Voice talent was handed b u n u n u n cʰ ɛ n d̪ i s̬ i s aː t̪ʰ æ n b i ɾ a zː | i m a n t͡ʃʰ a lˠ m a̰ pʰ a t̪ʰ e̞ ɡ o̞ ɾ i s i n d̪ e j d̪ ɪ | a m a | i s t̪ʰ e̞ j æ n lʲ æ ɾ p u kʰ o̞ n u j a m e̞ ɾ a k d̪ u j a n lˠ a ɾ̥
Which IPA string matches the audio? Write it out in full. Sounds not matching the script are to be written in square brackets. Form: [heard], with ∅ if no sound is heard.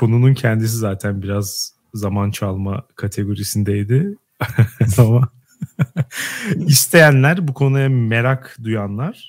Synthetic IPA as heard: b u n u n u n cʰ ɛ n d̪ i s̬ i [z] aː t̪ʰ æ n b i ɾ a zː | [a] m a n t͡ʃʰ a lˠ m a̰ [kʰ] a t̪ʰ e̞ ɡ o̞ ɾ i s i n d̪ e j d̪ ɪ | a m a | i s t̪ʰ e̞ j æ n lʲ æ ɾ [b] u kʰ o̞ n u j a m e̞ ɾ a k d̪ u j a n lˠ a ɾ̥